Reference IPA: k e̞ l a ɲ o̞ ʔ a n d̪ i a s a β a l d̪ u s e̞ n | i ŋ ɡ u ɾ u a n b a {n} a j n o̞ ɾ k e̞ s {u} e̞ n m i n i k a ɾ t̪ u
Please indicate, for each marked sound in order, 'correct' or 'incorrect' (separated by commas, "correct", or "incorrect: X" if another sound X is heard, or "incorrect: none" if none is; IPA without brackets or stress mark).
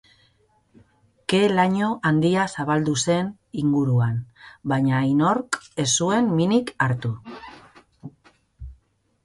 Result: incorrect: ɲ, correct